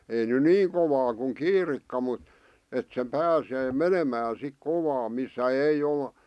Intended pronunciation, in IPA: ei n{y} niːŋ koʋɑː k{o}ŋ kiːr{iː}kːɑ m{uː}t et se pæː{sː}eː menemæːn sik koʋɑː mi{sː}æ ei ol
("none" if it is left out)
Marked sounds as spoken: y, u, i, u, s, sː

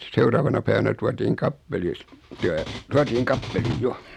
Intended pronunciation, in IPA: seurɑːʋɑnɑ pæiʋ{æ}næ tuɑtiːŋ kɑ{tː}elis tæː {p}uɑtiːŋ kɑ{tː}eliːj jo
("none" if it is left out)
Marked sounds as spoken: æ, pː, t, pː

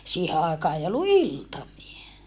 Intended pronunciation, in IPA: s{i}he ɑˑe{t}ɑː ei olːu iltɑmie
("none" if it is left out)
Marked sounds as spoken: iː, k

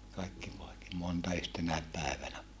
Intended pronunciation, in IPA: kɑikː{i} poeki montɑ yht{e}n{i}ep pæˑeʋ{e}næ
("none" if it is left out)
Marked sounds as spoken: i, e, æ, æ

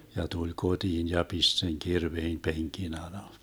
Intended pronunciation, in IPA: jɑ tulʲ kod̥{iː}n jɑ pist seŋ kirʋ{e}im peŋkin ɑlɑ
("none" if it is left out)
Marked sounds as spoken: iː, e

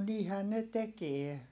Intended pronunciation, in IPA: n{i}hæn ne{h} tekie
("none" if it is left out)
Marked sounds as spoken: iː, none

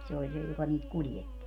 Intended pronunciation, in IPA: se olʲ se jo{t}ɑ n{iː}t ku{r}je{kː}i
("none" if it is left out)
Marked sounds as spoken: k, iː, l, tː

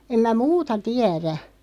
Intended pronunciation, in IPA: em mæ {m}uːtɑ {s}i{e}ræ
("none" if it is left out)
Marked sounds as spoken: m, t, æ

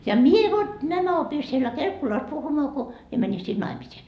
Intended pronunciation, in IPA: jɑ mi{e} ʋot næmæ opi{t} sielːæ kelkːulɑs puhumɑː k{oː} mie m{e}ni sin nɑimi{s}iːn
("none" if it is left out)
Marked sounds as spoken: e, none, o, æ, s

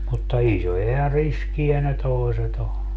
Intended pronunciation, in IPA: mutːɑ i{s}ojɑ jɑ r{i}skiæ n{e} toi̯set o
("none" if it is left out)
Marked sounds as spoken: s, i, e

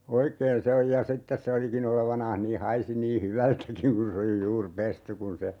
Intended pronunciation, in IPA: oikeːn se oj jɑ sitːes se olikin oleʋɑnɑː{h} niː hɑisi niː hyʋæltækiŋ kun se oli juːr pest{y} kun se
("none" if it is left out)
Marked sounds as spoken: h, y

